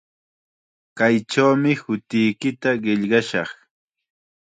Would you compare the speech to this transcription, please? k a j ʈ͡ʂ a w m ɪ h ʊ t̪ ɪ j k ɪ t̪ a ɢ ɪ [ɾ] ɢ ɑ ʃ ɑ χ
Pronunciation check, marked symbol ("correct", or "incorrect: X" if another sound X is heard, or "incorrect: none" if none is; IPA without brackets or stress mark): incorrect: ʎ